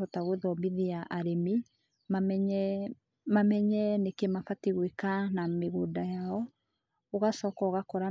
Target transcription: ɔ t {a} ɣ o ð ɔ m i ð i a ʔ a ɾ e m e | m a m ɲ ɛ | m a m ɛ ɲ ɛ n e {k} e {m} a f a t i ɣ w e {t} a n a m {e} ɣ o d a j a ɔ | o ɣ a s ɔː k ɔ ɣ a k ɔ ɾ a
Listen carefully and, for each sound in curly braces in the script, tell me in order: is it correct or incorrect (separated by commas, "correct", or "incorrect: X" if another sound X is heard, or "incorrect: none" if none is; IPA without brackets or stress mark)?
correct, correct, correct, incorrect: k, correct